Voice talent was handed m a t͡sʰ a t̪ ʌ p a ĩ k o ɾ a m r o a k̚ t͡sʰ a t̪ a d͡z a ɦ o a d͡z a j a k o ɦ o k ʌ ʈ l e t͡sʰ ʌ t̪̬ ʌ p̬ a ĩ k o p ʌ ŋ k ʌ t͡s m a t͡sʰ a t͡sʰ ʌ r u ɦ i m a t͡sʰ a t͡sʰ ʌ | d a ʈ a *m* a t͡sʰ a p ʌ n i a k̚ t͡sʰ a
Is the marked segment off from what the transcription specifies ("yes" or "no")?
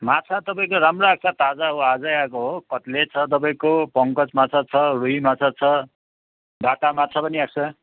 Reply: no